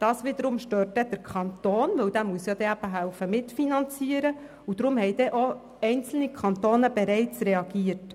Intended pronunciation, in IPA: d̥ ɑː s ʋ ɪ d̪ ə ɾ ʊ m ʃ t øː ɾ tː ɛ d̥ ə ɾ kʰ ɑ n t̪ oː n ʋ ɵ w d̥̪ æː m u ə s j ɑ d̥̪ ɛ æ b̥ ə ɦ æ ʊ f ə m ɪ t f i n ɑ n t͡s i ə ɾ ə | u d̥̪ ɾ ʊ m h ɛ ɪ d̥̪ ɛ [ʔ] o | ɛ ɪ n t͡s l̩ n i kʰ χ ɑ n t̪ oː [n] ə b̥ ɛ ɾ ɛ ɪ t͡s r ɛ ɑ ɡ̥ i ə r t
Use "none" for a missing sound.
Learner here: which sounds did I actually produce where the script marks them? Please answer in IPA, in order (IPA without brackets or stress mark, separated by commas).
ʔ, n